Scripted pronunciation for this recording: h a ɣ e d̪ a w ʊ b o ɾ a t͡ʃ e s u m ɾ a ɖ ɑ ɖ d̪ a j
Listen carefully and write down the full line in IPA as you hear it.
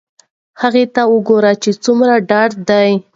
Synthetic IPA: h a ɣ e t̪ a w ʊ ɡ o ɾ a t͡ʃ e t͡s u m ɾ a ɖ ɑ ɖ d̪ a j